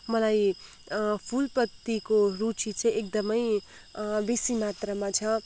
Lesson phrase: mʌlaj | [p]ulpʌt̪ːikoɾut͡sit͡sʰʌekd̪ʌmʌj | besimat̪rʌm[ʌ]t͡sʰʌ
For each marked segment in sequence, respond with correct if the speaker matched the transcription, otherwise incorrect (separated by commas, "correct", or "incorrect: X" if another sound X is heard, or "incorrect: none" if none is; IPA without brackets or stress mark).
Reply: incorrect: pʰ, incorrect: a